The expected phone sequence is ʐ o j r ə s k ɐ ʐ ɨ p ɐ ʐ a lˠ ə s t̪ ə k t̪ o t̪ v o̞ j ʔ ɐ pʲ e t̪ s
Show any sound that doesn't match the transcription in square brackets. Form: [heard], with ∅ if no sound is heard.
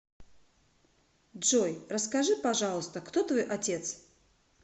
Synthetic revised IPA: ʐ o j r ə s k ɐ ʐ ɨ p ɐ ʐ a lˠ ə s t̪ ə k t̪ o t̪ v o̞ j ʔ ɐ [tʲ] e t̪ s